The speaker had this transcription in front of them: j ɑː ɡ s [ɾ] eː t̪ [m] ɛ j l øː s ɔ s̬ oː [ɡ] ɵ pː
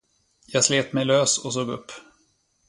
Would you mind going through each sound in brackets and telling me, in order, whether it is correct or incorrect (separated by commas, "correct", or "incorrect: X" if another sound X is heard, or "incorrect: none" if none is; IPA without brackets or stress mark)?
incorrect: l, correct, correct